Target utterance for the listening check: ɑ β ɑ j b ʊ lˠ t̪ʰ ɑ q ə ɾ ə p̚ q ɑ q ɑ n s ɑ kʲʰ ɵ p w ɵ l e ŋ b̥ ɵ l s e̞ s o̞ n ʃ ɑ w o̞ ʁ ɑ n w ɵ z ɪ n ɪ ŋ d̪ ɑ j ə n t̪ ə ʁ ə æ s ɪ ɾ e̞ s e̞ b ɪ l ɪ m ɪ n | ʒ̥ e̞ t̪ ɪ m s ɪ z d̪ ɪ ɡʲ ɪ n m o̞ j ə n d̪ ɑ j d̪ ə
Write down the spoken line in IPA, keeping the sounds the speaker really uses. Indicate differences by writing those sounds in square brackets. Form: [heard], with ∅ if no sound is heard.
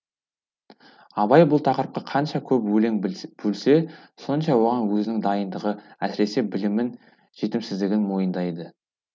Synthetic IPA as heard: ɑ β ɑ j b ʊ lˠ t̪ʰ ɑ q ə ɾ ə p̚ q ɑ [qʰ] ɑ n [ʃ] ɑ kʲʰ ɵ p w ɵ l e ŋ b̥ ɵ l s e̞ s o̞ n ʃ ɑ w o̞ ʁ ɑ n w ɵ z ɪ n ɪ ŋ d̪ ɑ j ə n [d̪] ə ʁ ə æ s ɪ ɾ e̞ s e̞ b ɪ l ɪ m ɪ n | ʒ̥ e̞ t̪ ɪ m s ɪ z d̪ ɪ ɡʲ ɪ n m o̞ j ə n d̪ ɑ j d̪ ə